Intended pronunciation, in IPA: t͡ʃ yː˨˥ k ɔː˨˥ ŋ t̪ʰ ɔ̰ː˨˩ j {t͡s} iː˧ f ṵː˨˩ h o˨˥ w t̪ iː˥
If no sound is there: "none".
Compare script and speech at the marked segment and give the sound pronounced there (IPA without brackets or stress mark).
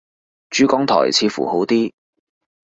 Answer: t͡sʰ